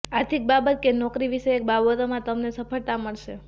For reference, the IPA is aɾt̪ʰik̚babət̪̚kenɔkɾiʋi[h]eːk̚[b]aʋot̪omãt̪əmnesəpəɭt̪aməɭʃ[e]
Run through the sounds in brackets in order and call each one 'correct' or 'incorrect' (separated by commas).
incorrect, correct, correct